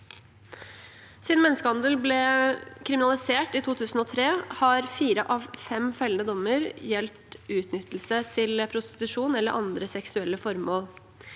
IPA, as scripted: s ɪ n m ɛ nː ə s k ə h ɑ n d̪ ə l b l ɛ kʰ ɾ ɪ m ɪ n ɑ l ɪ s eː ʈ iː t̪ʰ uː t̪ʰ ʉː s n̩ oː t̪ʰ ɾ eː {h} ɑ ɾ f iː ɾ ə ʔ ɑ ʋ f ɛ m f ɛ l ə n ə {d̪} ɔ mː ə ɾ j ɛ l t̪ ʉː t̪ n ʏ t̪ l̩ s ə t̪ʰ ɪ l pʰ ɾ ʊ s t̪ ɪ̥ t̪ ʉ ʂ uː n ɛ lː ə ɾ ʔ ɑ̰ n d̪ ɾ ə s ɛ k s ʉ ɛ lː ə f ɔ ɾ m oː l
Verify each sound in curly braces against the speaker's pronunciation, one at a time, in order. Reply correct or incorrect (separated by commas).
correct, correct